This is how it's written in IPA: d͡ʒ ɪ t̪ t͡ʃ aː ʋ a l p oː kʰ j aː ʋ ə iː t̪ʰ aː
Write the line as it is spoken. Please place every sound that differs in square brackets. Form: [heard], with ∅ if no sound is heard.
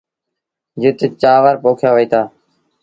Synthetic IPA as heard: d͡ʒ ɪ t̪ t͡ʃ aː ʋ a [ɾ] p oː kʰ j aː ʋ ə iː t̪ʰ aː